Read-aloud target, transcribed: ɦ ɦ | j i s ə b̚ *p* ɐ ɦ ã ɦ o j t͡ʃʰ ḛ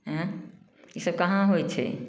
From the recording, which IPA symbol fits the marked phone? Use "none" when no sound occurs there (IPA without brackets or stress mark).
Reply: k